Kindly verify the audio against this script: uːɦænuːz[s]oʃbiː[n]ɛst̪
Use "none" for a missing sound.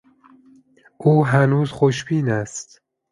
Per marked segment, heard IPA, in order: x, n

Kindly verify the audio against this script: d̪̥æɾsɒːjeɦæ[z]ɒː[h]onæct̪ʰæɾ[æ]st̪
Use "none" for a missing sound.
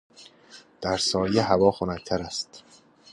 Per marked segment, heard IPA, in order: v, x, æ

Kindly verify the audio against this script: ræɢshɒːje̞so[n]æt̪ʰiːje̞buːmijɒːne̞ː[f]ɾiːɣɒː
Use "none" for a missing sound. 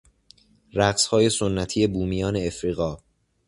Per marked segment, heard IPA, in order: nː, f

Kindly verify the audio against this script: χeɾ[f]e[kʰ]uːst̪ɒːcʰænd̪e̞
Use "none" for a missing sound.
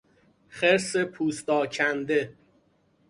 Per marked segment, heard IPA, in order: s, pʰ

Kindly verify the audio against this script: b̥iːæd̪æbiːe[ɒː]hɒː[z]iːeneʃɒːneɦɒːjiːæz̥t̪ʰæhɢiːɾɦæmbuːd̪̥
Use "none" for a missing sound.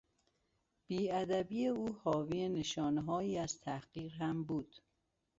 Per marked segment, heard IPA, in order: uː, v

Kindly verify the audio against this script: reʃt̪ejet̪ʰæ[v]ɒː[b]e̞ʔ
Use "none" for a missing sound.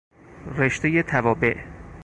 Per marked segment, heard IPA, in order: v, b

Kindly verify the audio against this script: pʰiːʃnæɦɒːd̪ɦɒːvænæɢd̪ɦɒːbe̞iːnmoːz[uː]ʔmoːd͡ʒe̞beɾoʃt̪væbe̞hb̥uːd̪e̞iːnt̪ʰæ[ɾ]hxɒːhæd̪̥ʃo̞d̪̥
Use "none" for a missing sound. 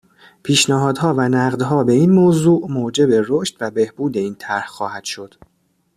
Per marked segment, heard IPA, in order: uː, ɾ

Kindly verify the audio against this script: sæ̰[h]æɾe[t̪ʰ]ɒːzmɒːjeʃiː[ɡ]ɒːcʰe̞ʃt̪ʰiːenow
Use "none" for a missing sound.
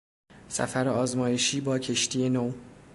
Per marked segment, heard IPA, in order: f, none, b

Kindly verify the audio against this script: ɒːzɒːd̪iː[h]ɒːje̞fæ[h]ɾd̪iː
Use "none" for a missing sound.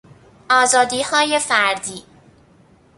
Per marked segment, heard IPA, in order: h, none

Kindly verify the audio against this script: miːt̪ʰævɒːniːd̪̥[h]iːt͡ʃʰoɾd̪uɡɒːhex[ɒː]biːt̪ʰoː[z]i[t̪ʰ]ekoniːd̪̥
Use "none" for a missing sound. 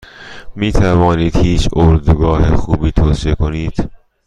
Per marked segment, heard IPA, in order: h, uː, s, none

